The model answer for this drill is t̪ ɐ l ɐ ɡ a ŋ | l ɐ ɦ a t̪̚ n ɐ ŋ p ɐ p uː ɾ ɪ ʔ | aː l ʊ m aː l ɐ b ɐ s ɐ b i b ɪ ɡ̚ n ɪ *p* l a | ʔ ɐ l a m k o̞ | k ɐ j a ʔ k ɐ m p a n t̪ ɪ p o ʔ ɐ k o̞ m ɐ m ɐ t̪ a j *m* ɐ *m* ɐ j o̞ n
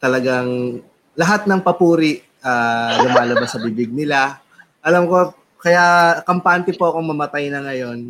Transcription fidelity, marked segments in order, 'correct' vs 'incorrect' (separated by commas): incorrect, incorrect, incorrect